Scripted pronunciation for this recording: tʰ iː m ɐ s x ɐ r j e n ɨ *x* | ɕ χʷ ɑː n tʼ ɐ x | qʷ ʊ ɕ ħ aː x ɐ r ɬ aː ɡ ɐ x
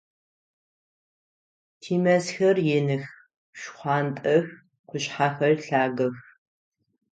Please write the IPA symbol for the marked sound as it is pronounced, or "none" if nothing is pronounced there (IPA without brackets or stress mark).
x